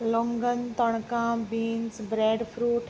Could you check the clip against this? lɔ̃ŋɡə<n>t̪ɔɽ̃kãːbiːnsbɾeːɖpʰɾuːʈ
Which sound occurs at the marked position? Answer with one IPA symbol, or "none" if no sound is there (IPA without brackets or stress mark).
n